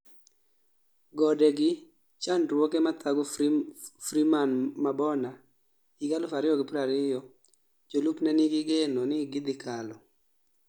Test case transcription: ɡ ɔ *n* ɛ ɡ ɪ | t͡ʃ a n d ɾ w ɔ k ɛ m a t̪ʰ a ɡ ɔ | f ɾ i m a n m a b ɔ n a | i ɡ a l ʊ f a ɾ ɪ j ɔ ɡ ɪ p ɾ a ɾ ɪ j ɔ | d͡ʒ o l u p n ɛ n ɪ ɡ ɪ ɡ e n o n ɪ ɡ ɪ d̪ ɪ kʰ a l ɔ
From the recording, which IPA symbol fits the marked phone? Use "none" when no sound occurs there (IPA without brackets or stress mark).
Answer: d